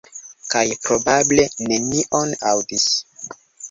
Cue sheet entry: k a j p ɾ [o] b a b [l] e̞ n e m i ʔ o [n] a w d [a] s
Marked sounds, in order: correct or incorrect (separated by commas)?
correct, correct, correct, incorrect